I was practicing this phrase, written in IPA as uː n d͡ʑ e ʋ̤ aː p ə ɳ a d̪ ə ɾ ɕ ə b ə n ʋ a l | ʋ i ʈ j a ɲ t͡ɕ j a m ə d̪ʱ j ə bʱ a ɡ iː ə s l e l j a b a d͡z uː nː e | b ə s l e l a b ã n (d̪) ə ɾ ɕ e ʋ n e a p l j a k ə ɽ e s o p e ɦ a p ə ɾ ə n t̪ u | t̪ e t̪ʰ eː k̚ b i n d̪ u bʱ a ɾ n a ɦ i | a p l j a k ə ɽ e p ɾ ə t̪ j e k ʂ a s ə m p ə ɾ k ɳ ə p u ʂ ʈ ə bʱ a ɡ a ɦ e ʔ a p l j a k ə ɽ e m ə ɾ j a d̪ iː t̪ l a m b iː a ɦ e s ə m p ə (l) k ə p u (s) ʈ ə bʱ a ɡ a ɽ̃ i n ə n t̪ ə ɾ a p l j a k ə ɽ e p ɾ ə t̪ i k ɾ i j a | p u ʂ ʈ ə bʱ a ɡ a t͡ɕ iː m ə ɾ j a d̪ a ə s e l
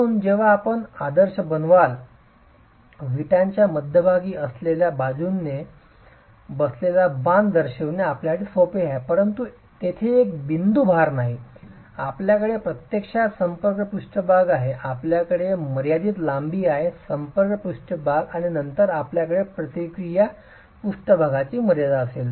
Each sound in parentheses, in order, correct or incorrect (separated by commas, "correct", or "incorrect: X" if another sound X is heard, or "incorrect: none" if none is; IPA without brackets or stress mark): correct, incorrect: ɾ, incorrect: ʂ